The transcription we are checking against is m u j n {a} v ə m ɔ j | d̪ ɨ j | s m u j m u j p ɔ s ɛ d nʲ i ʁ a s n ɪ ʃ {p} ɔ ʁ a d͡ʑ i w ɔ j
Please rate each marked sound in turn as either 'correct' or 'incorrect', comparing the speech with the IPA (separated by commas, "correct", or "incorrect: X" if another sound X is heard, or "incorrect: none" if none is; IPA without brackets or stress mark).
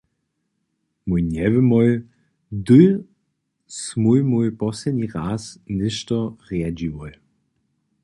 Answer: incorrect: ɛ, incorrect: t